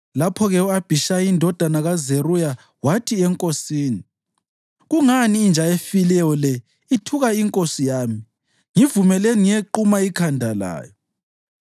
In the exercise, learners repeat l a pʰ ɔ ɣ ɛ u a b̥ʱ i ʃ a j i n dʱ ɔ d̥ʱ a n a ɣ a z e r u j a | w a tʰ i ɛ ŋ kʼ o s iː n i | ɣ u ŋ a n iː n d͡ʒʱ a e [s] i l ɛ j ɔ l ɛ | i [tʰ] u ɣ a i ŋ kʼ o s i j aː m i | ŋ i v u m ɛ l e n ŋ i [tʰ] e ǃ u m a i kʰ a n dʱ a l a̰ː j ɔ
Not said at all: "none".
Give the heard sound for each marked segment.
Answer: f, tʰ, none

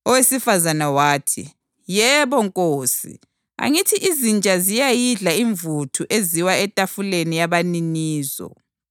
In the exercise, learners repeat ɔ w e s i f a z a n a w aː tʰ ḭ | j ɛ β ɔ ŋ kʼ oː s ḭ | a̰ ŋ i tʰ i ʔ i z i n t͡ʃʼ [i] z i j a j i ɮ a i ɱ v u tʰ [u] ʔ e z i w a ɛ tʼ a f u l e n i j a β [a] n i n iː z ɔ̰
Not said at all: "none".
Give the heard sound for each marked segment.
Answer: a, u, a

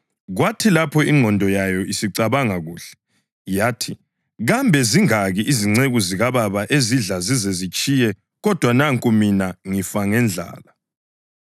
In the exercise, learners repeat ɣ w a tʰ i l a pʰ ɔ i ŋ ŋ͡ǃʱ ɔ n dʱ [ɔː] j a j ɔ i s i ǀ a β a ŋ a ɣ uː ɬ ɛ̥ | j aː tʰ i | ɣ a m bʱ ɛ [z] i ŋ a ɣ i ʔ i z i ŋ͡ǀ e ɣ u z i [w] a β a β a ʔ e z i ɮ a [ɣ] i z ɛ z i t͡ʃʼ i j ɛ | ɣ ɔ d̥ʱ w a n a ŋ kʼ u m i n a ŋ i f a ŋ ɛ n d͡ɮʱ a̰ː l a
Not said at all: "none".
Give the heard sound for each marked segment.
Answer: ɔ, z, ɣ, z

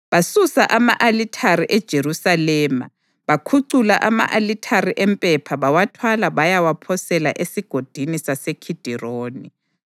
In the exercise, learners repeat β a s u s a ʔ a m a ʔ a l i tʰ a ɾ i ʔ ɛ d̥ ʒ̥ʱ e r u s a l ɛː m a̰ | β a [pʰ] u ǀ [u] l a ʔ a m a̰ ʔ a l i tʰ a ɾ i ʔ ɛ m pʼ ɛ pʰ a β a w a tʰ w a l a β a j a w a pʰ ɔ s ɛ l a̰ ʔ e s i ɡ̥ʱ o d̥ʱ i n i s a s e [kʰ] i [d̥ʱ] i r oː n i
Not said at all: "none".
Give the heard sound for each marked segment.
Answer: kʰ, u, kʰ, d̥ʱ

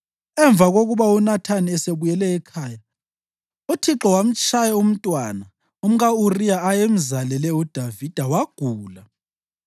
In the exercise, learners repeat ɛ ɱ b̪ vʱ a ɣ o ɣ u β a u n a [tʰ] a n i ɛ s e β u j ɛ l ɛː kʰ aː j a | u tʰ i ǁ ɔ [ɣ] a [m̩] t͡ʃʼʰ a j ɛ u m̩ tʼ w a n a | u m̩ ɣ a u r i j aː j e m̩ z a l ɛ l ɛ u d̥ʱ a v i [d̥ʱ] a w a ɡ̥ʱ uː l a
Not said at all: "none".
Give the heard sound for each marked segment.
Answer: tʰ, w, m̩, d̥ʱ

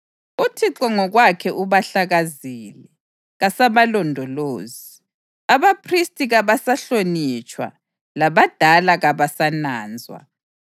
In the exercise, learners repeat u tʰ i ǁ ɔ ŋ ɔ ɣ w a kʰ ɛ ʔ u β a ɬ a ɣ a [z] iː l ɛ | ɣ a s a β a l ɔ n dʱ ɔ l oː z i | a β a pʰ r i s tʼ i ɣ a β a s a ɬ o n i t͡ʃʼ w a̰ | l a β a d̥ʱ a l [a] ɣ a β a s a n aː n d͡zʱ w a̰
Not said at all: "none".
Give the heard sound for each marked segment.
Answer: z, a

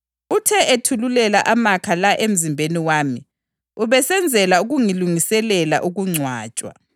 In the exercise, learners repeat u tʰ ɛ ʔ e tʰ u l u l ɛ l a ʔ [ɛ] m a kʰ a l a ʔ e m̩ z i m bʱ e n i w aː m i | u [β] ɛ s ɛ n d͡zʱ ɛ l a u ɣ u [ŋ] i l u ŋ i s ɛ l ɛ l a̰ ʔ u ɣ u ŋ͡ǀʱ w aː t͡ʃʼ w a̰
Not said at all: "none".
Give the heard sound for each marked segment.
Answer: a, β, ŋ

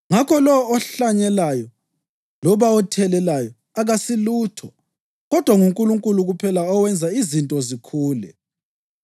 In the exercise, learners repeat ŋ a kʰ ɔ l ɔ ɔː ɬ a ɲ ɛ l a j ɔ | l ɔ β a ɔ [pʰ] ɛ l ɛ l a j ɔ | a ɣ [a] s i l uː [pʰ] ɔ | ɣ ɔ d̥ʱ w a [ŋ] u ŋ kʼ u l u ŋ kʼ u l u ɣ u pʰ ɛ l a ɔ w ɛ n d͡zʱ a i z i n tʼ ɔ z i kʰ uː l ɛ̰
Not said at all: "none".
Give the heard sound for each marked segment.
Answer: tʰ, a, tʰ, ŋ

